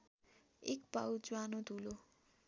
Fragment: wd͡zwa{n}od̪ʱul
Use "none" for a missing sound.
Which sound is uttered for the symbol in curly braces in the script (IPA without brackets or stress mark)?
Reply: n